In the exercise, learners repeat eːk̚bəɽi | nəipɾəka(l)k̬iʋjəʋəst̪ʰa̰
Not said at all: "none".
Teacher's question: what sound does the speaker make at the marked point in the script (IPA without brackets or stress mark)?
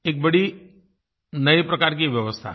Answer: ɾ